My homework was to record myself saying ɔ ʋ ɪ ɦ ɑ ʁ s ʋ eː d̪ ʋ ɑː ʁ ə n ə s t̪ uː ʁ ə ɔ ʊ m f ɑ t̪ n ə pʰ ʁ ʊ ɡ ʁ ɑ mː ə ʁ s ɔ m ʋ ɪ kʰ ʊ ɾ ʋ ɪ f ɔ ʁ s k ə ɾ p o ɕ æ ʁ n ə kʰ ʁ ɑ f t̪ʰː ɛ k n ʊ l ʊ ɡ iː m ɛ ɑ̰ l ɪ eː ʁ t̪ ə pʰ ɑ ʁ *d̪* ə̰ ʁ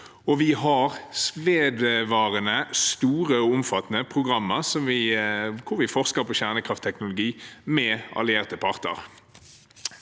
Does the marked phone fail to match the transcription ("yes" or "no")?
yes